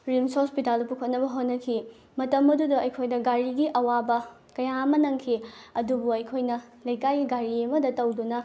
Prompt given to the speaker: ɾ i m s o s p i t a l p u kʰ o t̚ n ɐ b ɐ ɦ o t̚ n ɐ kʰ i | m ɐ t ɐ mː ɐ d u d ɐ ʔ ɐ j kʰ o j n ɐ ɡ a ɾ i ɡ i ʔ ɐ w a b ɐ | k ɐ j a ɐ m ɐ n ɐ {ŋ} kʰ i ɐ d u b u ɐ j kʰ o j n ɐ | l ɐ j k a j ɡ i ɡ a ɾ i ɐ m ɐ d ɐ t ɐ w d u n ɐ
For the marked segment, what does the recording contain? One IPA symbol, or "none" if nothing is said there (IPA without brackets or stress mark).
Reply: ŋ